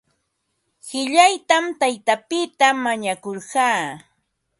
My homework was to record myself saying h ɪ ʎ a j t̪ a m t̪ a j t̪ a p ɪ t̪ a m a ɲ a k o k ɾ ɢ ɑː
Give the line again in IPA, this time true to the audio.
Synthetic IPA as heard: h ɪ ʎ a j t̪ a m t̪ a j t̪ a p ɪ t̪ a m a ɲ a k o ɾ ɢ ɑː